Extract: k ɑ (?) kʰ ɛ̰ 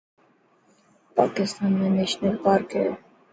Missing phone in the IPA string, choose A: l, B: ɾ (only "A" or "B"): B